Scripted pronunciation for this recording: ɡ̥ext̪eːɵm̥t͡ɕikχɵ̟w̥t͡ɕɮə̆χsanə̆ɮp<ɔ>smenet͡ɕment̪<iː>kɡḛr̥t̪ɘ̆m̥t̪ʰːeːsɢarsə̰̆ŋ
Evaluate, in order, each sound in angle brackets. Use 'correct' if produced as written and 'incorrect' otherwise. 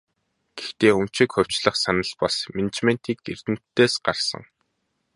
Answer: correct, correct

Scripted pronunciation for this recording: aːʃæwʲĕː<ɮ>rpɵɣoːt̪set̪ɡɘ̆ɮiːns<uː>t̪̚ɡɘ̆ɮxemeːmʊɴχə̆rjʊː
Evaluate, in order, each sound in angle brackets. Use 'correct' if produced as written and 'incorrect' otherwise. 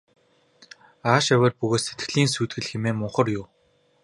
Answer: incorrect: none, correct

